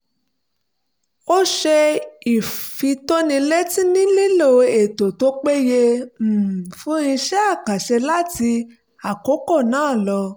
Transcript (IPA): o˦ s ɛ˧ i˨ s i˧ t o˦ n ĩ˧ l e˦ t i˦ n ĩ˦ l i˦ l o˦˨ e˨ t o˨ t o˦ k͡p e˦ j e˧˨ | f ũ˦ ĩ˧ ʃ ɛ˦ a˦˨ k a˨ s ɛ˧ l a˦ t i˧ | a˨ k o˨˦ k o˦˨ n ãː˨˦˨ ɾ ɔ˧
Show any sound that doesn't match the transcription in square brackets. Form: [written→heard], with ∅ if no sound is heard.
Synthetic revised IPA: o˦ [s→ʃ] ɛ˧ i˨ [s→f] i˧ t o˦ n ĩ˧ l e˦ t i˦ n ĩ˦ l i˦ l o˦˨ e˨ t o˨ t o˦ k͡p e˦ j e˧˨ | f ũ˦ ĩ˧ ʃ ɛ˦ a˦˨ k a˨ [s→ʃ] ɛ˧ l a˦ t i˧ | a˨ k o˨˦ k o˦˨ n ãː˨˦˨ [ɾ→l] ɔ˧